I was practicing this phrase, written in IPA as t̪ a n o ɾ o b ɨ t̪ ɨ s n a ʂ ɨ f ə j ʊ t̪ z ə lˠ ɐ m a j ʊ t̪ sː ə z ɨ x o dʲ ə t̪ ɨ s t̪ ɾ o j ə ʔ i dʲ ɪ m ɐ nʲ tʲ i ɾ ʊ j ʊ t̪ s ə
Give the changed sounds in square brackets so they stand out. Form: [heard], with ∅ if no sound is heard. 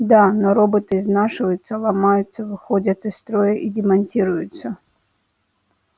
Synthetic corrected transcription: [d̪] a n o ɾ o b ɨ t̪ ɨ [z] n a ʂ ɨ [v] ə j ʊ t̪ [s] ə lˠ ɐ m a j ʊ t̪ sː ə [v] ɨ x o dʲ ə t̪ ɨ s t̪ ɾ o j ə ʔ i dʲ ɪ m ɐ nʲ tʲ i ɾ ʊ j ʊ t̪ s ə